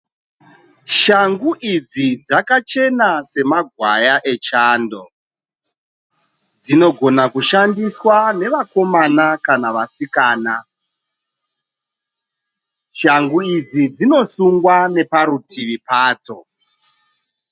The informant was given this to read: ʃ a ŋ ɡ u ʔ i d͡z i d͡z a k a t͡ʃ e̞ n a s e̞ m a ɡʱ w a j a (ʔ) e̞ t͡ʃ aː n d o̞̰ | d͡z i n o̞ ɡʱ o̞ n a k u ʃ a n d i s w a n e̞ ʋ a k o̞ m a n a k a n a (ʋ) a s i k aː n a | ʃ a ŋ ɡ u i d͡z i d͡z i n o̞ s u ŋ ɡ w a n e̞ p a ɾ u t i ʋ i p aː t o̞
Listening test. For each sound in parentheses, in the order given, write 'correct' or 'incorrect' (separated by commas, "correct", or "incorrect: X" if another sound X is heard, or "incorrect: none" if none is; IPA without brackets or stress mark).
correct, correct